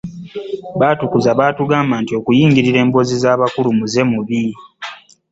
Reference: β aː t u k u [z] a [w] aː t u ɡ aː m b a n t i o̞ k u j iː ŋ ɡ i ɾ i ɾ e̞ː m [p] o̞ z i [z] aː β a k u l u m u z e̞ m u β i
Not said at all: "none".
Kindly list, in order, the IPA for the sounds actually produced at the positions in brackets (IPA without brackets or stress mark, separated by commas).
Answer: z, β, b, z